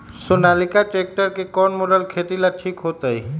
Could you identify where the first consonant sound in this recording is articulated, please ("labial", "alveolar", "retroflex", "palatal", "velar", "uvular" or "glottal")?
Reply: alveolar